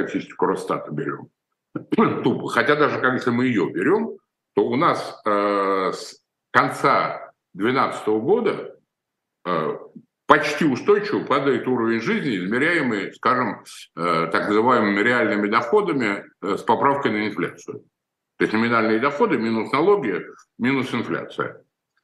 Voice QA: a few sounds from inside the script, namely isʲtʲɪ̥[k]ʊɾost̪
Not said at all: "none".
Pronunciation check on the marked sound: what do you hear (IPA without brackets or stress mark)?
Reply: k